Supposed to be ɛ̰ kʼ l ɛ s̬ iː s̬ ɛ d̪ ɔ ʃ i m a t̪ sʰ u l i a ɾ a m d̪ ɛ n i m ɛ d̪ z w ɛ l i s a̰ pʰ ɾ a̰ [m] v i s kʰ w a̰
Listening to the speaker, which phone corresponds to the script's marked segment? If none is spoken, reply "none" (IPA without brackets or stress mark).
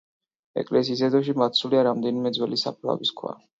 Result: none